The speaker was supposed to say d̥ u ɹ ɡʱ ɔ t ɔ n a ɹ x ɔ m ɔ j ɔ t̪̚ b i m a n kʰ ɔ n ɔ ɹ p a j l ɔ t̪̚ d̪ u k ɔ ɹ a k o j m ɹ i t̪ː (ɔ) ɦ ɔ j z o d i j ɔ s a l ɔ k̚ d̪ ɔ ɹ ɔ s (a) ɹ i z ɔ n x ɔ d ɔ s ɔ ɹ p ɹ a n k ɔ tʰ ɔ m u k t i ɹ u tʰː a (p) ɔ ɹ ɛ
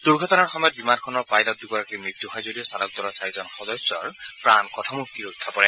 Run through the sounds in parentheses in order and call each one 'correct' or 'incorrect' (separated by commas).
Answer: incorrect, correct, correct